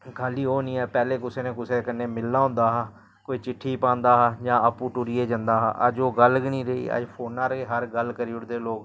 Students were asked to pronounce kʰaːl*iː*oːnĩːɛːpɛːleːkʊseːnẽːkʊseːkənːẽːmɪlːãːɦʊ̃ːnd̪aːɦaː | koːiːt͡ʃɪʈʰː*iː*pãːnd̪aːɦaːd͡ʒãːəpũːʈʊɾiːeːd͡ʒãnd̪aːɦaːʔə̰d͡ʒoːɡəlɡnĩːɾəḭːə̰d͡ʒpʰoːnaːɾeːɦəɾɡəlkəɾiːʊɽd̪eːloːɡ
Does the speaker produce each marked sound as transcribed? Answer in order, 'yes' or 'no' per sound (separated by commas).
yes, yes